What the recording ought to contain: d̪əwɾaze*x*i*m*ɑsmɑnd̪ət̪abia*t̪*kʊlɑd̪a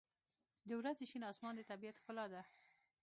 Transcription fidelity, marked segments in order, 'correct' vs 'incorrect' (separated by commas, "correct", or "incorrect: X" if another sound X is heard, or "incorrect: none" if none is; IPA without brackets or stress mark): incorrect: ʃ, incorrect: n, correct